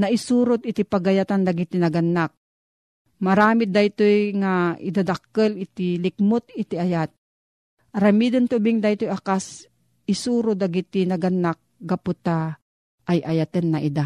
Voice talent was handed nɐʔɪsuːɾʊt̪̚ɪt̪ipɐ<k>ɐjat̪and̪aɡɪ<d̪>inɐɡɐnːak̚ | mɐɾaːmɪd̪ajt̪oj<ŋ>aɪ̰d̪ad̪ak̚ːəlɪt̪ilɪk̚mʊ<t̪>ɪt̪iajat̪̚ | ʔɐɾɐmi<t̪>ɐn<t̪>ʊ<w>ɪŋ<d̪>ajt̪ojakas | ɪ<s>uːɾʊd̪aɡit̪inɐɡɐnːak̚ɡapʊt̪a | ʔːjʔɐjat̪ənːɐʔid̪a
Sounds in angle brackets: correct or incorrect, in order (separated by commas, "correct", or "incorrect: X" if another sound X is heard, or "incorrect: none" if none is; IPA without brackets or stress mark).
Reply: incorrect: ɡ, incorrect: t̪, correct, correct, incorrect: d̪, correct, incorrect: b, correct, correct